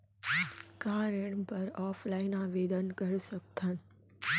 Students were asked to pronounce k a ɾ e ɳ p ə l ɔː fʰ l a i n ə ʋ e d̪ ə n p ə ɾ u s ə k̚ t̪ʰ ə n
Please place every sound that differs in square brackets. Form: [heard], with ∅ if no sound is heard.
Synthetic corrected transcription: k a ɾ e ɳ p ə [ɾ] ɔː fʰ l a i n [a] ʋ e d̪ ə n [k] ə ɾ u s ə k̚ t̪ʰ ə n